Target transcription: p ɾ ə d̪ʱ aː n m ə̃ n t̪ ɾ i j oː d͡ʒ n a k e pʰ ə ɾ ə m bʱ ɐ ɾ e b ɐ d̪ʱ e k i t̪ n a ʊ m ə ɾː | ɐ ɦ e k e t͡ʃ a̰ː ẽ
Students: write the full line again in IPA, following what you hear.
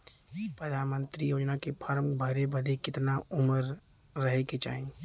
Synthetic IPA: p ɾ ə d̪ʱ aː n m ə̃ n t̪ ɾ i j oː d͡ʒ n a k e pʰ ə ɾ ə m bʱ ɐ ɾ e b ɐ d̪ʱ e k ɪ t̪ n a ʊ m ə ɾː | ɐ ɦ e k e t͡ʃ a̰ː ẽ